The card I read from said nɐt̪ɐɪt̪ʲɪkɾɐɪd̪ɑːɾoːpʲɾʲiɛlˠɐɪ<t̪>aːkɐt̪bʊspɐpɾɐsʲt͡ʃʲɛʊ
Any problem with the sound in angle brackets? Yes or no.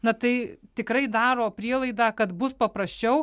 yes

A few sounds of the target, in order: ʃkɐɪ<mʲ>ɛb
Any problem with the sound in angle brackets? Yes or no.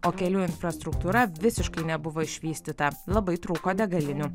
yes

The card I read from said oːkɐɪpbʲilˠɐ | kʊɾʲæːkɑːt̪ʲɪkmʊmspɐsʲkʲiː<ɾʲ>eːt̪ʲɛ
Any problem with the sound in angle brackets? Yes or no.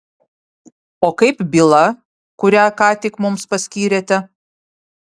no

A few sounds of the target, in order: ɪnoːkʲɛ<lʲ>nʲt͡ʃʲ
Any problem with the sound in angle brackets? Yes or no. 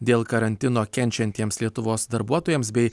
yes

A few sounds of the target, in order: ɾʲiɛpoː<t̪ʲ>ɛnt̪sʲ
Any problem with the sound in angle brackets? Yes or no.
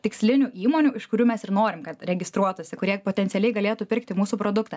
no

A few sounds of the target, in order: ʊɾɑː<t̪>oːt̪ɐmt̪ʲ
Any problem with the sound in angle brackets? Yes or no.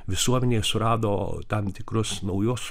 yes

